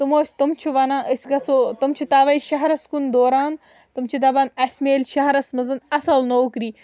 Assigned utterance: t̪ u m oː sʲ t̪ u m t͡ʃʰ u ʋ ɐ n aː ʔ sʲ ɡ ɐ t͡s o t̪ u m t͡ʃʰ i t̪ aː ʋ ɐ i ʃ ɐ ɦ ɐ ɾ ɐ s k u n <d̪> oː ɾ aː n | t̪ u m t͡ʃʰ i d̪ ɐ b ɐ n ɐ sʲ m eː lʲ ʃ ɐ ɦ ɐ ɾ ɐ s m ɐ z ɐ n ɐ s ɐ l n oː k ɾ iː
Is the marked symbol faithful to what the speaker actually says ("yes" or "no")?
yes